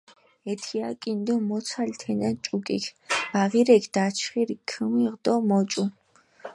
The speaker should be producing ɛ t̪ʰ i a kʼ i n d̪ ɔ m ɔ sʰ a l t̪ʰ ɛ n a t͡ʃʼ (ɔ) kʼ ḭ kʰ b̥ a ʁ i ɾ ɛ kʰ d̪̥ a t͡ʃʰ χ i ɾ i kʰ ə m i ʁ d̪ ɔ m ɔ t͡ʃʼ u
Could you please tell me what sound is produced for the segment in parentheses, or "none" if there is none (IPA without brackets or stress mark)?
u